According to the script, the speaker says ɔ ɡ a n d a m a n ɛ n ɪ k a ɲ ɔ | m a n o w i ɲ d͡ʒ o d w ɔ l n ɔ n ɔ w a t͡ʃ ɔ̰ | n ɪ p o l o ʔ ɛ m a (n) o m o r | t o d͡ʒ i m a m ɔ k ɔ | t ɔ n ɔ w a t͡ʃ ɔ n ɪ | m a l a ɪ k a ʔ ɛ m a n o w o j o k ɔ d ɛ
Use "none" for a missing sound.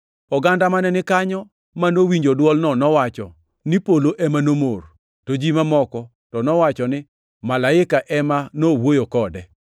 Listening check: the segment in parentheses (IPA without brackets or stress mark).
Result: n